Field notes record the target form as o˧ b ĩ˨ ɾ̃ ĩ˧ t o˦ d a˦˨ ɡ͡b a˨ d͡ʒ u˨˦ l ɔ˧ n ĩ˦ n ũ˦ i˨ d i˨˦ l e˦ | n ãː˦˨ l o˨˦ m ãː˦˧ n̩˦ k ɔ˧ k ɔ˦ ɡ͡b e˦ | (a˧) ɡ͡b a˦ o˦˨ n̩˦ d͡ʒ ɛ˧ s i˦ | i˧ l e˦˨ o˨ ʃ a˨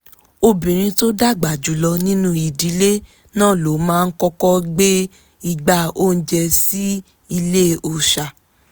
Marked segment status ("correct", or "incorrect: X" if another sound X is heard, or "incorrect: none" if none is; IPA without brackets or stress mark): incorrect: i˧